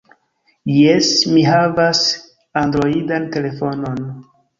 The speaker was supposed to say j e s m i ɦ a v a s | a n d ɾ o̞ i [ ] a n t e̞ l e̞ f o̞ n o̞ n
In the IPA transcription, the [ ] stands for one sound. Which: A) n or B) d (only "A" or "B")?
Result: B